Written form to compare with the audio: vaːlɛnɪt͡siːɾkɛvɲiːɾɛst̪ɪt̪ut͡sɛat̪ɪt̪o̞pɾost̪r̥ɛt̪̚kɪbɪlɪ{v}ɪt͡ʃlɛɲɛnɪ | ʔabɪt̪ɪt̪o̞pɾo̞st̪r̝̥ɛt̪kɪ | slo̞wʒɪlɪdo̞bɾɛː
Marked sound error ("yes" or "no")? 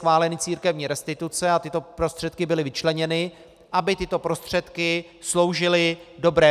no